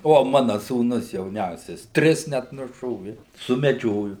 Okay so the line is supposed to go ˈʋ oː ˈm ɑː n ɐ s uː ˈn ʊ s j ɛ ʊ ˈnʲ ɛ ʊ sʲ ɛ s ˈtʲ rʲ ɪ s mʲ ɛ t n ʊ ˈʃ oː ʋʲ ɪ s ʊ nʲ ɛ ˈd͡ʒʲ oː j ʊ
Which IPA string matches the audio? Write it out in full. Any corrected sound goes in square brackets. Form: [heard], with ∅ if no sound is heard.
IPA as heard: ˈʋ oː ˈm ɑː n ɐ s uː ˈn ʊ s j ɛ ʊ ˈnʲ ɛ ʊ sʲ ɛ s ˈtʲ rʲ ɪ s [nʲ] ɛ t n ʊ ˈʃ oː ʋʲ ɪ s ʊ [mʲ] ɛ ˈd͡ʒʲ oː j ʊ